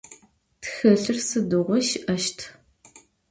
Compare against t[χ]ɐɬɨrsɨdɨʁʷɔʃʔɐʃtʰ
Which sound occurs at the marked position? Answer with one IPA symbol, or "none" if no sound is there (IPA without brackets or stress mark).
x